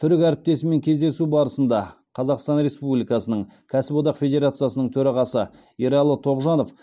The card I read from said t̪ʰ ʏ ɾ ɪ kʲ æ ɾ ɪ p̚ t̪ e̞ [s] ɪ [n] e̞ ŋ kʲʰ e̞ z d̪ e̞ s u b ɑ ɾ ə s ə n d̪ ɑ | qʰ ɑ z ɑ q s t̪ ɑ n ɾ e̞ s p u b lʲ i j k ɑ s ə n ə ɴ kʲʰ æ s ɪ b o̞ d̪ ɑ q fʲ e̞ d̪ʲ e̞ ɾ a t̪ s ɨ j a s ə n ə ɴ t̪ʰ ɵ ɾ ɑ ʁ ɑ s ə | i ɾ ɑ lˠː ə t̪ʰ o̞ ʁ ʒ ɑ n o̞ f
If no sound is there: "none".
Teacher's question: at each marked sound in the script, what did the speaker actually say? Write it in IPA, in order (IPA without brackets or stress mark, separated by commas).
s, m